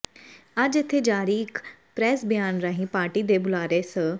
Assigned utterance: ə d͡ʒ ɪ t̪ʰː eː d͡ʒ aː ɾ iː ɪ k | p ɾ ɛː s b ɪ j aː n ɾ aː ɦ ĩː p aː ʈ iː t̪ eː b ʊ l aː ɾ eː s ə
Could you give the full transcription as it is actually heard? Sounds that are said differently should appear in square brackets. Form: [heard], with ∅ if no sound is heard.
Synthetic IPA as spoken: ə d͡ʒ ɪ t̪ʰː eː d͡ʒ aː ɾ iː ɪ k | p ɾ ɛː s b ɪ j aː n ɾ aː ɦ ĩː p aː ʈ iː [d̪] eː b ʊ l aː ɾ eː s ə